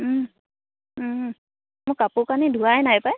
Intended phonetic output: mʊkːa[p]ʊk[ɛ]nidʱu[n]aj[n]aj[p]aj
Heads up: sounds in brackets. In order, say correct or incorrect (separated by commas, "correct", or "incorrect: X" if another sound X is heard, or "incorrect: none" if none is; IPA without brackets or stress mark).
correct, incorrect: a, incorrect: none, correct, correct